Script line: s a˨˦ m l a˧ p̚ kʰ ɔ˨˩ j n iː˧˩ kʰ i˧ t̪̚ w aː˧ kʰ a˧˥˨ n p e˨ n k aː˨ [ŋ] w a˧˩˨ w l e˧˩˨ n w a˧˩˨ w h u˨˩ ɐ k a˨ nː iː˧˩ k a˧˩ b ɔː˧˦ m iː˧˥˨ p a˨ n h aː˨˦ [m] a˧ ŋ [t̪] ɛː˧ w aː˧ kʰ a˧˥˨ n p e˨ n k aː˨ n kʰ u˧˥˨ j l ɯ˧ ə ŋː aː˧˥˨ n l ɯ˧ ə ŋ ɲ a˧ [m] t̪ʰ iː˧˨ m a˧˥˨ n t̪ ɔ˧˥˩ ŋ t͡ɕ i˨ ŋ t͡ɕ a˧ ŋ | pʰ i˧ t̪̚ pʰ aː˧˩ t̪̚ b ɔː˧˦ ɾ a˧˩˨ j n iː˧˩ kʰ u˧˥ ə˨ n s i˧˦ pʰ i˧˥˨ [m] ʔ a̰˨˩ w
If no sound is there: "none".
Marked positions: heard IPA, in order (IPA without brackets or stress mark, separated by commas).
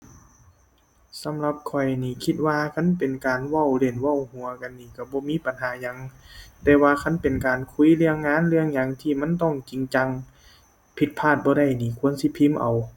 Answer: n, ɲ, t̪, ŋ, m